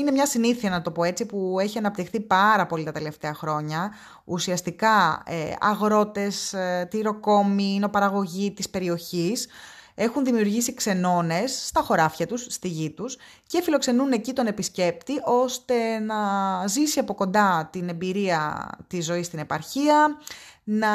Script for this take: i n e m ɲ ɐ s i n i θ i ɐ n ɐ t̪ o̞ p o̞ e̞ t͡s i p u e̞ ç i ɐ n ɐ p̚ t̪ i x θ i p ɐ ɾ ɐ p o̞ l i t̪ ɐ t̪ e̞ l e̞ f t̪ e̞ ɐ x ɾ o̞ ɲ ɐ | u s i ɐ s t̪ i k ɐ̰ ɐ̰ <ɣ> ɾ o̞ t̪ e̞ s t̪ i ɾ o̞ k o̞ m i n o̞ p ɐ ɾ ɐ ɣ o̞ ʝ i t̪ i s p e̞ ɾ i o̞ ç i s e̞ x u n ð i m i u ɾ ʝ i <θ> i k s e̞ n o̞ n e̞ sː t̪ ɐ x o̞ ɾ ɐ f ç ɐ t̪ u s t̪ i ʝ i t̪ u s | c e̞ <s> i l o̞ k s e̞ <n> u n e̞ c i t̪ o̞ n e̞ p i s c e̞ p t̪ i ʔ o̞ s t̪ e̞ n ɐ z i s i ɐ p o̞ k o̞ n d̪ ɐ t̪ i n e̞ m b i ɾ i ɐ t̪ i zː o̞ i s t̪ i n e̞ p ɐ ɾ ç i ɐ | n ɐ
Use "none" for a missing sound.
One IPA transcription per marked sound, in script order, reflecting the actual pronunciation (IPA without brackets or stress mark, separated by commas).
ɣ, s, f, n